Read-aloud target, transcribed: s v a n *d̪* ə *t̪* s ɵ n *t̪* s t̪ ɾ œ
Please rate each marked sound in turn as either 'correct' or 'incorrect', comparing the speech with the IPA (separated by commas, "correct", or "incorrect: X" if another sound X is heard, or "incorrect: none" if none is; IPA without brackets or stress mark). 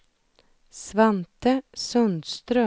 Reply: incorrect: t̪, incorrect: none, incorrect: d̪